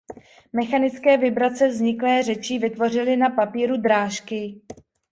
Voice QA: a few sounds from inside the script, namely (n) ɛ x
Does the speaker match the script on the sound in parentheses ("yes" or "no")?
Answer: no